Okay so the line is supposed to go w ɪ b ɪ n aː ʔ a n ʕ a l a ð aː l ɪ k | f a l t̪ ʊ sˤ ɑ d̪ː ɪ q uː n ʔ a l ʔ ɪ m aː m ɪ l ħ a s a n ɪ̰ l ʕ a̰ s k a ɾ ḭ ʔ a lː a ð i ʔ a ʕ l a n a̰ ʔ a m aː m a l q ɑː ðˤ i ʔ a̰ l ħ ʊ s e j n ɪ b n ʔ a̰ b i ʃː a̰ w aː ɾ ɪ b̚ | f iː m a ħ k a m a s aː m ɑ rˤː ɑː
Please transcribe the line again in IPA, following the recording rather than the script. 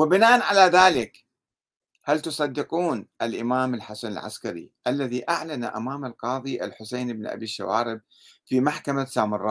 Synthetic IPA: w ɪ b ɪ n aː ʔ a n ʕ a l a ð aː l ɪ k | h a l t̪ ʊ sˤ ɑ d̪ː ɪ q uː n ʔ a l ʔ ɪ m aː m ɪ l ħ a s a n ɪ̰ l ʕ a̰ s k a ɾ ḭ ʔ a lː a ð i ʔ a ʕ l a n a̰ ʔ a m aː m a l q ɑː ðˤ i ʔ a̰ l ħ ʊ s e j n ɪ b n ʔ a̰ b i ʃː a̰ w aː ɾ ɪ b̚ | f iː m a ħ k a m a s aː m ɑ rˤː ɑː